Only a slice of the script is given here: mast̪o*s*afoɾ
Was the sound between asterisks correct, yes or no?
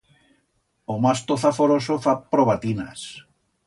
no